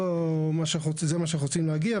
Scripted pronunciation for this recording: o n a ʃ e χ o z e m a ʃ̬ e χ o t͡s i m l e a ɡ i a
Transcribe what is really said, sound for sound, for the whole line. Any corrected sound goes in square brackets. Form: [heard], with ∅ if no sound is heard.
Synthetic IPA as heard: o [m] a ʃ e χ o z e m a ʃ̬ e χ o t͡s i m l e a ɡ i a